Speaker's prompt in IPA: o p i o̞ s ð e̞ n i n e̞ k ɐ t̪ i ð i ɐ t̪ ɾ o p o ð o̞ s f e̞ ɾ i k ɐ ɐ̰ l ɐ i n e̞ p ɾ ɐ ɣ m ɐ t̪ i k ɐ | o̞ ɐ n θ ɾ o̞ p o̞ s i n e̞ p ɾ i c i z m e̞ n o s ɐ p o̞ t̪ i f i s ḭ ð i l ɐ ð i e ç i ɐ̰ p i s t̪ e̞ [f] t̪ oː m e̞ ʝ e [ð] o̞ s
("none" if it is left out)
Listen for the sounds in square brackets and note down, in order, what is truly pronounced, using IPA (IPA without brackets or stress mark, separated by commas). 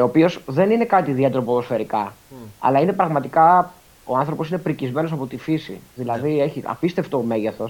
f, θ